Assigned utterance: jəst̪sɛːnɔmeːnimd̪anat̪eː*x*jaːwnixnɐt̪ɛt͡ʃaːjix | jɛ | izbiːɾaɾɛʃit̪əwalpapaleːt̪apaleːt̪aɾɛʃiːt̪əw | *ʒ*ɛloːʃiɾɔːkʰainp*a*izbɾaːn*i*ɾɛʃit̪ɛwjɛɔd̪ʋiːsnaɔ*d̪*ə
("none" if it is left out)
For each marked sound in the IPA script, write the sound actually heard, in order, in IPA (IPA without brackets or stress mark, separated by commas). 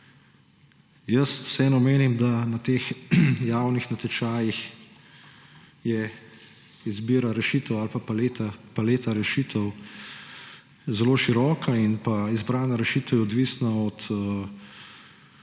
x, z, a, a, t̪